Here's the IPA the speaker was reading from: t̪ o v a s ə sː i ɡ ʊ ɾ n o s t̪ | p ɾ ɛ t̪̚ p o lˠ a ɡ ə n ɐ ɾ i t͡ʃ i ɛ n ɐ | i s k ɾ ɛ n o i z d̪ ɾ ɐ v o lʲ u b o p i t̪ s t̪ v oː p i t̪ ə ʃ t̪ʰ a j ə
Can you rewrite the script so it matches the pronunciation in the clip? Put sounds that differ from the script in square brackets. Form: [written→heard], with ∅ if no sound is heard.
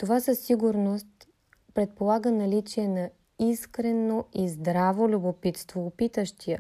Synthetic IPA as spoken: t̪ o v a s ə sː i ɡ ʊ ɾ n o s t̪ | p ɾ ɛ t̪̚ p o lˠ a ɡ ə n ɐ [ɾ→l] i t͡ʃ i ɛ n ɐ | i s k ɾ ɛ n o i z d̪ ɾ [ɐ→a] v o lʲ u b o p i t̪ s t̪ v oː p i t̪ ə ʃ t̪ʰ [a→i] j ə